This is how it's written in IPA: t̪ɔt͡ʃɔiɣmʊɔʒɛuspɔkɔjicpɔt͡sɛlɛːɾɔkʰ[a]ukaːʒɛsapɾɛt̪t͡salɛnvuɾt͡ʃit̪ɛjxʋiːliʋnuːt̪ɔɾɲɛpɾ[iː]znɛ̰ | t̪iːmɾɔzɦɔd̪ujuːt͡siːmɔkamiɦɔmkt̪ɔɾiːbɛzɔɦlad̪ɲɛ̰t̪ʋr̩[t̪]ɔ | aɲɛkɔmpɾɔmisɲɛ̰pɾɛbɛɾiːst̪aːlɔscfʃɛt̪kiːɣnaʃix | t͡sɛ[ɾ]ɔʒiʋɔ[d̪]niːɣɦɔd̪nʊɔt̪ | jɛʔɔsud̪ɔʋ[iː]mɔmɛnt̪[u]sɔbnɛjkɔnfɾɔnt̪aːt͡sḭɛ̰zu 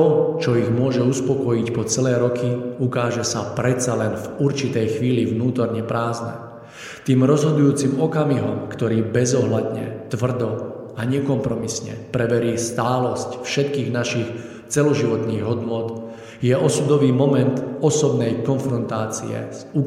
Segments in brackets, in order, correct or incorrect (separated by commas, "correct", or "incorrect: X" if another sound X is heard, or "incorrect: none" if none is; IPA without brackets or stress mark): incorrect: i, incorrect: aː, incorrect: d̪, incorrect: l, incorrect: t̪, correct, incorrect: ɔ